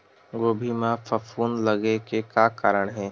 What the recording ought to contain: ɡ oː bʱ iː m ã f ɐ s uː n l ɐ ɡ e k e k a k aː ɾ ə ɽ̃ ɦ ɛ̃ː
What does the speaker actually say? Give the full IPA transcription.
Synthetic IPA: ɡ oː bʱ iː m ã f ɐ f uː n l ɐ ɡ e k e k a k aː ɾ ə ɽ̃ ɦ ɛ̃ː